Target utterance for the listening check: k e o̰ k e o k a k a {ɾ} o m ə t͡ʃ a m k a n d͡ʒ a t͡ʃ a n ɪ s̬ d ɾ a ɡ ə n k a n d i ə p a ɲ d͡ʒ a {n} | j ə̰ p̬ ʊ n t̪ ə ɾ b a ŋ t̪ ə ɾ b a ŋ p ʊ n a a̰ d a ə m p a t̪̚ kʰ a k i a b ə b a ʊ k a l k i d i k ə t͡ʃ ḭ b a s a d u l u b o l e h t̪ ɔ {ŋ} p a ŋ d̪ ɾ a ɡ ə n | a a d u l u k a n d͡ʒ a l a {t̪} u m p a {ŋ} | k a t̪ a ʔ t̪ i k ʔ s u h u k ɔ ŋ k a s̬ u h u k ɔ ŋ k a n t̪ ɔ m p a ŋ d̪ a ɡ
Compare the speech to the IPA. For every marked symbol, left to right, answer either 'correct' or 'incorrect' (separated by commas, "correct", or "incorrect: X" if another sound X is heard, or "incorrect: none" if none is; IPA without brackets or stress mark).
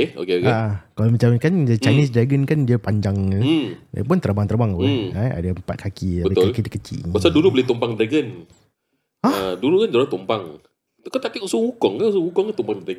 incorrect: l, incorrect: ŋ, incorrect: m, correct, correct